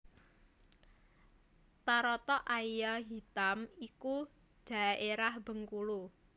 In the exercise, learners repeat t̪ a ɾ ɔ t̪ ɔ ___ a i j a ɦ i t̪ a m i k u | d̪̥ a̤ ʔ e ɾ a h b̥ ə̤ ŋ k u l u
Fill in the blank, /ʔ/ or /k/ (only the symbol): ʔ